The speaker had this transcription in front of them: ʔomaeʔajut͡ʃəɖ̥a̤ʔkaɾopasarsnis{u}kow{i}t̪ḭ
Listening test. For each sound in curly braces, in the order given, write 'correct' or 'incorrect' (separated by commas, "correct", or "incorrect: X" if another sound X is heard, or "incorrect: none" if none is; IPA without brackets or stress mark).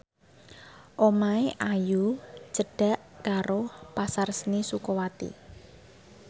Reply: correct, incorrect: a